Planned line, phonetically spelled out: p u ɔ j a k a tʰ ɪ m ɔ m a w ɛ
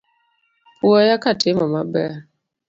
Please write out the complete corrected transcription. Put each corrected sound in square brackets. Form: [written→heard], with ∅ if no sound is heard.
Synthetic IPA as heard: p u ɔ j a k a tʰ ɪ m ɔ m a [w→b] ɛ